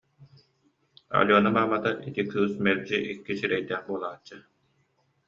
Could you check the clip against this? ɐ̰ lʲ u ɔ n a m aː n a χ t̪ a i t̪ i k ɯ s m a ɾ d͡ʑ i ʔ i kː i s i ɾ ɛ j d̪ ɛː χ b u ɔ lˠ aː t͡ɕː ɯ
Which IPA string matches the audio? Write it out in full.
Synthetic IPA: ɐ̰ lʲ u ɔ n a m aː m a t̪ a i t̪ i k ɯː s m ɛ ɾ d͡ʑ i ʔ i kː i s i ɾ ɛ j d̪ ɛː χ b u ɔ lˠ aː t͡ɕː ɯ